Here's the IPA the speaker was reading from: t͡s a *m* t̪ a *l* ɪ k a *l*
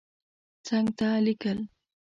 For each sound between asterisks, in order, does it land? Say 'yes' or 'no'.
no, yes, yes

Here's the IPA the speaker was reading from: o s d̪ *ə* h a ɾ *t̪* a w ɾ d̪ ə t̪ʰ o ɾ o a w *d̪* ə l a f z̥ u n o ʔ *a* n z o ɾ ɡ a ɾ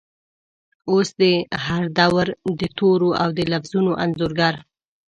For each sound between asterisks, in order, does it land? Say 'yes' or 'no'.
yes, no, yes, yes

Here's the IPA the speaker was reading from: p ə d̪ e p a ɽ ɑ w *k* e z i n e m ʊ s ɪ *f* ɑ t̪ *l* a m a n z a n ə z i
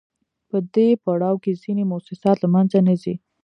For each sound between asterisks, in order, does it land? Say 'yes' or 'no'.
yes, no, yes

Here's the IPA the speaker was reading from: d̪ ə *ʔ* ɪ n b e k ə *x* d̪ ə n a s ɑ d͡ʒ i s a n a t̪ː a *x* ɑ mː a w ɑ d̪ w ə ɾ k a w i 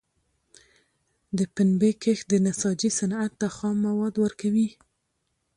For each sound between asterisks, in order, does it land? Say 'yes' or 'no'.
no, yes, yes

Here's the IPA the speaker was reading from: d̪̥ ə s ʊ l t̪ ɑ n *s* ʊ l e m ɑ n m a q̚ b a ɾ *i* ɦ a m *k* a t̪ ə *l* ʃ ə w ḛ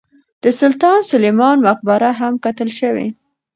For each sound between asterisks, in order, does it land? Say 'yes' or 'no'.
yes, no, yes, yes

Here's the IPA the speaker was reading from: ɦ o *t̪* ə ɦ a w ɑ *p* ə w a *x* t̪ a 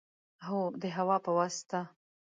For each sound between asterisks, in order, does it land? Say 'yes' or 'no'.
no, yes, no

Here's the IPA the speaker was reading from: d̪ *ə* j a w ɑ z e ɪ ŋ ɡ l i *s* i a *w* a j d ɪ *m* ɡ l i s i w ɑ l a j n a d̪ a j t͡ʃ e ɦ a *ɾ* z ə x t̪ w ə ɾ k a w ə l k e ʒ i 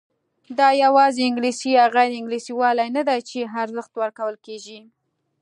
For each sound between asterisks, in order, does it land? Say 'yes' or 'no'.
no, yes, no, no, yes

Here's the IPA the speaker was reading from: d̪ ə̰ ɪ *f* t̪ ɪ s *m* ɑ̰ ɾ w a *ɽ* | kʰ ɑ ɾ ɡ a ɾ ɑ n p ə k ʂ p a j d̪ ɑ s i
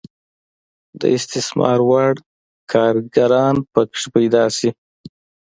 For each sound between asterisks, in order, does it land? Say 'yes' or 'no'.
no, yes, yes

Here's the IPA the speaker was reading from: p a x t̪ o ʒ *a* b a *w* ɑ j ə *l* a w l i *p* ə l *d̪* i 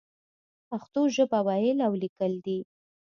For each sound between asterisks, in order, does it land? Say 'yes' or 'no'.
no, yes, yes, no, yes

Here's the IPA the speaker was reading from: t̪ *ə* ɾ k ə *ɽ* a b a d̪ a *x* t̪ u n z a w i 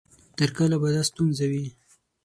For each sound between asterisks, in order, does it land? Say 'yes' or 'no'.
yes, no, no

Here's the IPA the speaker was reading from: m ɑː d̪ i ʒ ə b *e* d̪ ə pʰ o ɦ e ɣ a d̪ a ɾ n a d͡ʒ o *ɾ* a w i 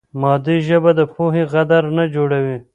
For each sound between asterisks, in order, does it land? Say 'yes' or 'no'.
no, no

